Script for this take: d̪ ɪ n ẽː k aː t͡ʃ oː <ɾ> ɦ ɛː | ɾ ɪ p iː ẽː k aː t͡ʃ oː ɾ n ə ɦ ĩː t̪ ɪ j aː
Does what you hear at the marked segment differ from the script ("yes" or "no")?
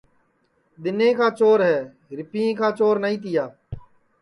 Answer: no